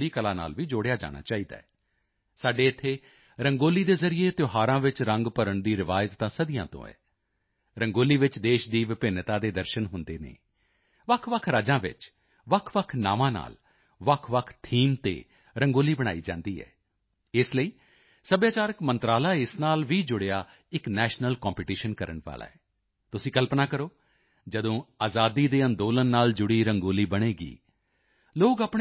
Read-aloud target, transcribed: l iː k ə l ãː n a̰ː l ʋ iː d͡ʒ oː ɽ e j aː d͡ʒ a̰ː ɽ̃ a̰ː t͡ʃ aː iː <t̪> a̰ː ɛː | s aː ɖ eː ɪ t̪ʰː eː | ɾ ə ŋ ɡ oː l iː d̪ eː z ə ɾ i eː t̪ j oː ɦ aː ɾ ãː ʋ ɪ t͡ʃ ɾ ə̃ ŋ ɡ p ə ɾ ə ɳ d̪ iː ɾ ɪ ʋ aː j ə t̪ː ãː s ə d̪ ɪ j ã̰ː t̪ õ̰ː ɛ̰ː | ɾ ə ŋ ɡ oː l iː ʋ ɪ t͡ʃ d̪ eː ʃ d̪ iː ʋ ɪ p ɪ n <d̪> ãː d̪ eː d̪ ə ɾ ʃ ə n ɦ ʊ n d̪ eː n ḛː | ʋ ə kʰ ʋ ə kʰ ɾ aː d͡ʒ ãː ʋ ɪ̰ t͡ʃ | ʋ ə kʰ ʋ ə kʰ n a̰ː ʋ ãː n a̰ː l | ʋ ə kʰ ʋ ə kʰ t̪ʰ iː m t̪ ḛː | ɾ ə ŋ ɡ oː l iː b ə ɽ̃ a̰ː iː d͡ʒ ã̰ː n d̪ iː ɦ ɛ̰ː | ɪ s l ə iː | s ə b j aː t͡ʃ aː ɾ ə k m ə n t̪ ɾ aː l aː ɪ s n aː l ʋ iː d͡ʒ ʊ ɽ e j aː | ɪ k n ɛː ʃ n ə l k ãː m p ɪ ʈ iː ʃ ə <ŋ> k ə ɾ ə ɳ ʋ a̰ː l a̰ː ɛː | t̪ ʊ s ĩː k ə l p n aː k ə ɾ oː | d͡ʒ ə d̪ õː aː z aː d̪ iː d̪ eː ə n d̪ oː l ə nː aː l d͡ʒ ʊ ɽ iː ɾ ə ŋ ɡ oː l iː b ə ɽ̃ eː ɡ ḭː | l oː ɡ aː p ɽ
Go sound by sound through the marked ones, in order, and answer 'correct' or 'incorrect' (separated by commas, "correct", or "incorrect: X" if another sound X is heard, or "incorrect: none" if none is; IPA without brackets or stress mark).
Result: incorrect: d̪, incorrect: t̪, incorrect: n